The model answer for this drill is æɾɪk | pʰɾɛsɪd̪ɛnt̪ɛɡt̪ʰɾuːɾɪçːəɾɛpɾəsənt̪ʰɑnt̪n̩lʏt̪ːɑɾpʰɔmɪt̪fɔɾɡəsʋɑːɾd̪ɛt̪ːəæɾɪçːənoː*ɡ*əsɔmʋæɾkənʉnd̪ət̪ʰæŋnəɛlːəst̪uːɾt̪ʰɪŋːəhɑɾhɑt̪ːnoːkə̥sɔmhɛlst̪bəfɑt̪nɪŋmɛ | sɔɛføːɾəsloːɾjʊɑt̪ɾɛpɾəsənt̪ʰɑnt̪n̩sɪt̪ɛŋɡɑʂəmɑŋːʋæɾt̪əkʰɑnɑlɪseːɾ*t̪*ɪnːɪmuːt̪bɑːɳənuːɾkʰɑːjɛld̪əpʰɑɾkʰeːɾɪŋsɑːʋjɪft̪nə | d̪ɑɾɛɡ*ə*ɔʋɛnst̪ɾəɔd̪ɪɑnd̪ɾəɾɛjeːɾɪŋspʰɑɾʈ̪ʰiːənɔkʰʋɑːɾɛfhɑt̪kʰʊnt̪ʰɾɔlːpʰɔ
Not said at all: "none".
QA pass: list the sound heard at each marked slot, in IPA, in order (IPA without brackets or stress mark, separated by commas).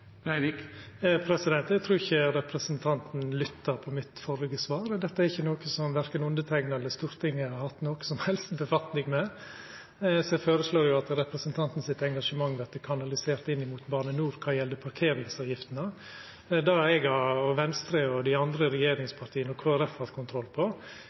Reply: k, t̪, ɑ